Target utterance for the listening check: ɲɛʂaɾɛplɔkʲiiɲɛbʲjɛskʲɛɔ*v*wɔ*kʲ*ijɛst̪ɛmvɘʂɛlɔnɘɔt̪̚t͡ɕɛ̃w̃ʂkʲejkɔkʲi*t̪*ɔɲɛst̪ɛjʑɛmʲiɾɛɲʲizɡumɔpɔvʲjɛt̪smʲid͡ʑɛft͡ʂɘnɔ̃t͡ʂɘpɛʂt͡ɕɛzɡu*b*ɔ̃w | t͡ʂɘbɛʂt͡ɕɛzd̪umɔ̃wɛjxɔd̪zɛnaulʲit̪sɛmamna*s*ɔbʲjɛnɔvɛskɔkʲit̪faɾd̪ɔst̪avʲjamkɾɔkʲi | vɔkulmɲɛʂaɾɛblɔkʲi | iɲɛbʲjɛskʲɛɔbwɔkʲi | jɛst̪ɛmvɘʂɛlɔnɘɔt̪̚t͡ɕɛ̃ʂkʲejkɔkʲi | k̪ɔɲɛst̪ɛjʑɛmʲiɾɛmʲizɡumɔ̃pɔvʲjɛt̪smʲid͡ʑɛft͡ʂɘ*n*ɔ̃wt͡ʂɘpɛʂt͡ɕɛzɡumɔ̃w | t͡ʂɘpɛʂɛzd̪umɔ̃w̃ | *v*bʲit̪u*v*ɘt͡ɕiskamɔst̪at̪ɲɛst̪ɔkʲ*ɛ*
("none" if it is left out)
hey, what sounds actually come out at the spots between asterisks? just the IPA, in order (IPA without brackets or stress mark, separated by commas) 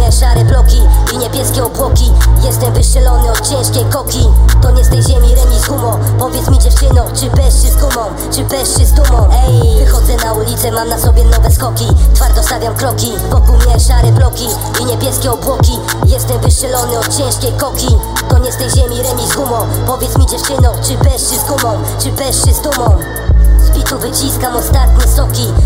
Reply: b, kʲ, t̪, m, s, n, z, v, i